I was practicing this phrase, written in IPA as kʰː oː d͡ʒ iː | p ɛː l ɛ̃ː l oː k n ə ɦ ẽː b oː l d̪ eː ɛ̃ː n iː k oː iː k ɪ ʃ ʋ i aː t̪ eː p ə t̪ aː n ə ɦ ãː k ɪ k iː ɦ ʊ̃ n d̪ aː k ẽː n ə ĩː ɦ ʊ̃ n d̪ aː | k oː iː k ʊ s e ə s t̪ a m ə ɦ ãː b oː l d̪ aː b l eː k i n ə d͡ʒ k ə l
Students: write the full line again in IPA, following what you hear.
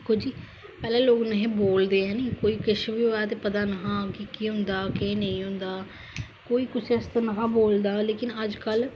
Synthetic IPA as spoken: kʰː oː d͡ʒ iː | p ɛː l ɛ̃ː l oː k n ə ɦ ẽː b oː l d̪ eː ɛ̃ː n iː k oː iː k ɪ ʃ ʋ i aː t̪ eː p ə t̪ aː n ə ɦ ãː k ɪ k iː ɦ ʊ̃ n d̪ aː k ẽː n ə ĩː ɦ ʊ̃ n d̪ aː | k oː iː k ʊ s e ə s t̪ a n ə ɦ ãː b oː l d̪ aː l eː k ɪ n ə d͡ʒ k ə l